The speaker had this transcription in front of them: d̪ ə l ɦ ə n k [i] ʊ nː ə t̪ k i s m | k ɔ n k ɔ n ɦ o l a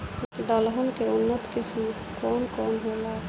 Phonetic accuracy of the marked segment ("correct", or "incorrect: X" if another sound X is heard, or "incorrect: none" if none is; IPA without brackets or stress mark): incorrect: e